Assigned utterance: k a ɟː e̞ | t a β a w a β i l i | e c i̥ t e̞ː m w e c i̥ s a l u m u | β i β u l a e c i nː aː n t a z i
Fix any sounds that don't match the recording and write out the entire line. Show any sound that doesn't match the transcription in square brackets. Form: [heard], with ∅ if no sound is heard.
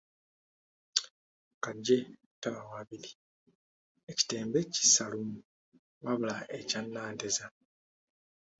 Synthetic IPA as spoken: k a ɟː e̞ | t a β a w a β i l i | e c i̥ t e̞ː m [b] e c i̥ s a l u m u | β [a] β u l a e c [a] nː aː n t [e] z [a]